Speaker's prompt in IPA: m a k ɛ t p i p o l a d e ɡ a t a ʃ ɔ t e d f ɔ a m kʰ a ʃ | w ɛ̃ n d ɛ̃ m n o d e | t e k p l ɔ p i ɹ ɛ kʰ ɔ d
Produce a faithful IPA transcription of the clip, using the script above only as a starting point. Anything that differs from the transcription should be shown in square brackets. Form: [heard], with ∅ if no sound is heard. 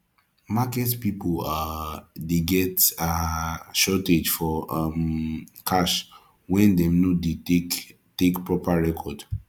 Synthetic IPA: m a k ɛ t p i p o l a d e ɡ [ɛ] t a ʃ ɔ t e [d͡ʒ] f ɔ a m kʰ a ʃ | w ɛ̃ n d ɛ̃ m n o d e | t e k p [ɹ] ɔ p [a] ɹ ɛ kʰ ɔ d